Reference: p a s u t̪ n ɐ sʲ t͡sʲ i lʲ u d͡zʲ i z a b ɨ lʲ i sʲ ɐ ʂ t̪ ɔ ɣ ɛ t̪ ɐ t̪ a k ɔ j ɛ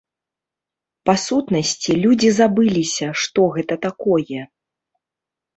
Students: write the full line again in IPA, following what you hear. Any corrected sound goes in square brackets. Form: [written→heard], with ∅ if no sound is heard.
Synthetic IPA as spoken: p a s u t̪ n ɐ sʲ t͡sʲ i lʲ u d͡zʲ i z a b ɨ lʲ i sʲ ɐ ʂ t̪ ɔ ɣ ɛ t̪ ɐ t̪ a k ɔ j ɛ